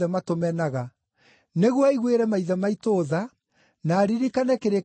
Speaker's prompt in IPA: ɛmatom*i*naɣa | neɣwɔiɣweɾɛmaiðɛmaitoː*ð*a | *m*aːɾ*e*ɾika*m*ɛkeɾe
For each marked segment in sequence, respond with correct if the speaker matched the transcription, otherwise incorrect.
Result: incorrect, correct, incorrect, incorrect, incorrect

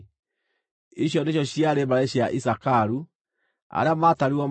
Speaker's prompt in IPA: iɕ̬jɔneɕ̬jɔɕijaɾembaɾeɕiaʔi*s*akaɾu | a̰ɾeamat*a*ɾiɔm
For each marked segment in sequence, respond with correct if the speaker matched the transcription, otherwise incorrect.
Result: correct, correct

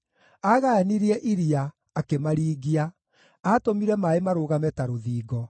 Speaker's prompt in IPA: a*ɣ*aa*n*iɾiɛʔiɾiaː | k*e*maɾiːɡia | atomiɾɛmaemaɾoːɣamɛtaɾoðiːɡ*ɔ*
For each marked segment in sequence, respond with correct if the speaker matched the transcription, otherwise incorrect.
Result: correct, correct, correct, correct

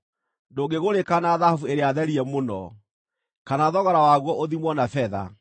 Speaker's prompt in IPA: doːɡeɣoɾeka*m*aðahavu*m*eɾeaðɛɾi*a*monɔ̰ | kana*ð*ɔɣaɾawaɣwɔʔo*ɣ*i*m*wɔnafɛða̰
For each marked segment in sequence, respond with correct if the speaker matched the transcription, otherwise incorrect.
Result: incorrect, incorrect, incorrect, correct, incorrect, correct

